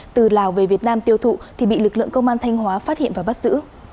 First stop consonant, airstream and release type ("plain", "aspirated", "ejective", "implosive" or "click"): plain